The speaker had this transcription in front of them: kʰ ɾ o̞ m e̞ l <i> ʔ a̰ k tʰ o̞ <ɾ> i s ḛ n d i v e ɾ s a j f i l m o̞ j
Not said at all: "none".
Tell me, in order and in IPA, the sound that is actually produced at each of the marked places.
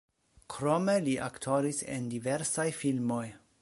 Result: i, ɾ

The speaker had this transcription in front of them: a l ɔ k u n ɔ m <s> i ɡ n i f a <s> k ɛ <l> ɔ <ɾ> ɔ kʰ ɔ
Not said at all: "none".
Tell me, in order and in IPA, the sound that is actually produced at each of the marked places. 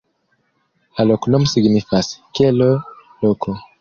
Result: s, s, l, l

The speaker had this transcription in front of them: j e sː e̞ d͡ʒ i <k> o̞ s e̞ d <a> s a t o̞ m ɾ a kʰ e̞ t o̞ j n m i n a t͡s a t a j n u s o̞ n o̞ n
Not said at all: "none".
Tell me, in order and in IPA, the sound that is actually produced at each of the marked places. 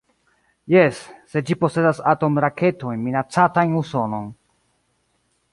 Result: p, a

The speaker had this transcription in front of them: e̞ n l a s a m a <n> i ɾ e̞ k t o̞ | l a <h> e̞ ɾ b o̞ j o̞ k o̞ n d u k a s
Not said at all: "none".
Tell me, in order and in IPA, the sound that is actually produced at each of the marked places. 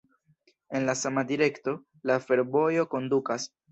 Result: d, f

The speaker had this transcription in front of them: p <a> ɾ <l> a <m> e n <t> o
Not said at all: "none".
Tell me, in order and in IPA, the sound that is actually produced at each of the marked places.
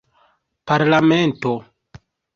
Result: a, l, m, t

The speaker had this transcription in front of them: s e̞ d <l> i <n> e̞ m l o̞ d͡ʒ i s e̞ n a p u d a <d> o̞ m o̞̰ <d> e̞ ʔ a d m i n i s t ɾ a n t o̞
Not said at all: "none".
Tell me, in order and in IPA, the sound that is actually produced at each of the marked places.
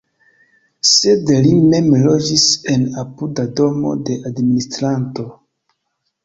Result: l, m, d, d

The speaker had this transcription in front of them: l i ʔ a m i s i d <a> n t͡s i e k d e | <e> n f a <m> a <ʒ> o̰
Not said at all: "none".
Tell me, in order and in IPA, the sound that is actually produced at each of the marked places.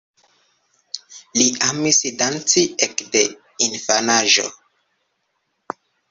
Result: a, i, n, ʒ

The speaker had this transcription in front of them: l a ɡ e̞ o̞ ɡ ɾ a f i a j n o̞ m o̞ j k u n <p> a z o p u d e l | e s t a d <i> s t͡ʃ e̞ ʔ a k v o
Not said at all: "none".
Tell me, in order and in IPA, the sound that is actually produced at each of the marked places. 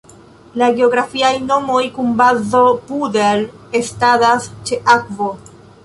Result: b, a

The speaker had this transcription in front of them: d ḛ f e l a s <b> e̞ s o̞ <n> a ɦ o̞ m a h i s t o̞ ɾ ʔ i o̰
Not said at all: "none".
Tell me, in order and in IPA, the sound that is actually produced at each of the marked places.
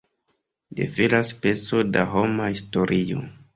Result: p, d

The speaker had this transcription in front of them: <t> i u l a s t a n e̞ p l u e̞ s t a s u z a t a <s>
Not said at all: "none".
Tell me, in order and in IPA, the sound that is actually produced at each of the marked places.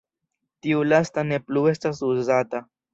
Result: t, none

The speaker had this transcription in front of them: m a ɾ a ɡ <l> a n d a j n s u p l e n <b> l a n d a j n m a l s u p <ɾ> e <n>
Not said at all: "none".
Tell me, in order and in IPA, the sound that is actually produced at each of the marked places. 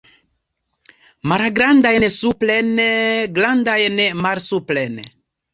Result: ɾ, ɡ, l, n

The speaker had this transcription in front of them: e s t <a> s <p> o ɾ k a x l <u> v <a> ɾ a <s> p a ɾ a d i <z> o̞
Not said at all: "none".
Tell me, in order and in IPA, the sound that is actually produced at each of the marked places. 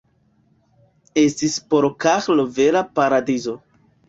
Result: i, p, o, e, none, z

